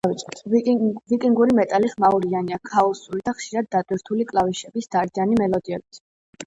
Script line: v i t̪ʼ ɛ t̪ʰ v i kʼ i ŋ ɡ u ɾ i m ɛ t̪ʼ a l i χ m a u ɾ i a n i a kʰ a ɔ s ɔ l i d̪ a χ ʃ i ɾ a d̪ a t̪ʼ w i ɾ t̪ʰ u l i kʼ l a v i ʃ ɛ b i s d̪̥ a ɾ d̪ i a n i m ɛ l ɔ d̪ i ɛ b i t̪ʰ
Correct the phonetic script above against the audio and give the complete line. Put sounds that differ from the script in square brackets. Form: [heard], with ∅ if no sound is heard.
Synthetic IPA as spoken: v i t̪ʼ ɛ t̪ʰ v i kʼ i ŋ ɡ u ɾ i m ɛ t̪ʼ a l i χ m a u ɾ i a n i a kʰ a ɔ s [u] l i d̪ a χ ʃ i ɾ a [d̪ː] a t̪ʼ w i ɾ t̪ʰ u l i kʼ l a v i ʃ ɛ b i s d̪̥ a ɾ d̪ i a n i m ɛ l ɔ d̪ i ɛ b i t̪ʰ